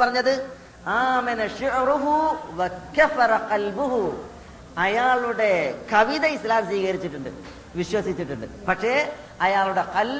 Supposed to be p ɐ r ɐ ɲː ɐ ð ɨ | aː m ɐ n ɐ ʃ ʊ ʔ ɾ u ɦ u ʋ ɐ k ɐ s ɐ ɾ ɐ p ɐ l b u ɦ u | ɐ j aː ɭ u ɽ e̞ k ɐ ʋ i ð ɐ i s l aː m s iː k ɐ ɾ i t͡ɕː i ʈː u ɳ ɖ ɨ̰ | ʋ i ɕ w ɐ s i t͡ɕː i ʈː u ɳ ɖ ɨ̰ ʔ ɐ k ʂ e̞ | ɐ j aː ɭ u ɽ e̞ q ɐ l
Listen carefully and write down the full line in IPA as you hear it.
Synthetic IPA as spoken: p ɐ r ɐ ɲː ɐ ð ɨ | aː m ɐ n ɐ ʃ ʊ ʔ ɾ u ɦ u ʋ ɐ k ɐ f ɐ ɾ ɐ q ɐ l b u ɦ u | ɐ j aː ɭ u ɽ e̞ k ɐ ʋ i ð ɐ i s l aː m s iː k ɐ ɾ i t͡ɕː i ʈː u ɳ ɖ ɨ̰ | ʋ i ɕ w ɐ s i t͡ɕː i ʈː u ɳ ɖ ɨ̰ p ɐ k ʂ e̞ | ɐ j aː ɭ u ɽ e̞ q ɐ l